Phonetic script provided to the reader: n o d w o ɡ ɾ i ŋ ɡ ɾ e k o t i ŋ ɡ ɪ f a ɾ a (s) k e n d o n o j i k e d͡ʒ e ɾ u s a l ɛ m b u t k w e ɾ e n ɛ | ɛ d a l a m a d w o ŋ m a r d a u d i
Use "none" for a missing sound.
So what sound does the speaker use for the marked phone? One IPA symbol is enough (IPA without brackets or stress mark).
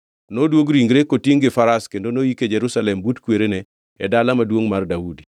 s